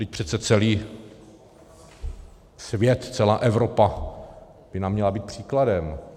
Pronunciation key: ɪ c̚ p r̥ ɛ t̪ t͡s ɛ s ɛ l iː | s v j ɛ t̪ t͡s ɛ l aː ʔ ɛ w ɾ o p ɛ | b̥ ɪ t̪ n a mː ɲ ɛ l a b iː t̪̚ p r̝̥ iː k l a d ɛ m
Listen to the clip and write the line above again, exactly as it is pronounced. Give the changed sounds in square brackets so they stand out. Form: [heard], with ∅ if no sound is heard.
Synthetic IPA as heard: ɪ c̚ p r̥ ɛ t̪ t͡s ɛ [t͡s] ɛ l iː | s v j ɛ t̪ t͡s ɛ l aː ʔ ɛ [v] ɾ o p [a] | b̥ ɪ [∅] n a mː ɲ ɛ l a b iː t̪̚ p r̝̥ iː k l a d ɛ m